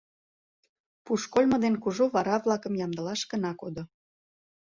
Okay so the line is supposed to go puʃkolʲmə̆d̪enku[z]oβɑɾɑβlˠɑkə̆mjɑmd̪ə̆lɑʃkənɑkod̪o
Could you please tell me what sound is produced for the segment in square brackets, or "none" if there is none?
ʒ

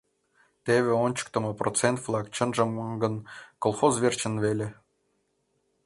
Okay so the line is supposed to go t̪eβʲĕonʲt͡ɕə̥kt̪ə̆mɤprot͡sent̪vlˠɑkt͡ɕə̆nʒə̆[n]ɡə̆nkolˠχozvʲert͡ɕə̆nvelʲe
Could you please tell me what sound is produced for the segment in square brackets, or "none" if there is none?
m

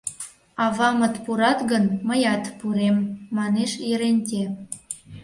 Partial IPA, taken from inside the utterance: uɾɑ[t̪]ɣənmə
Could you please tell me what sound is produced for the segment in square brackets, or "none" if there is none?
t̪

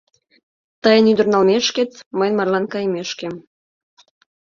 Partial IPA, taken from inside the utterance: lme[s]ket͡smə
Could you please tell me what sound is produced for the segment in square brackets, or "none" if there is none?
ʃ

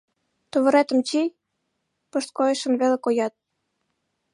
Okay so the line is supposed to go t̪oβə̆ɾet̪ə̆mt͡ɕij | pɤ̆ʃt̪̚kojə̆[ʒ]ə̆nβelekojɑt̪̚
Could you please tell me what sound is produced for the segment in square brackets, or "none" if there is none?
ʃ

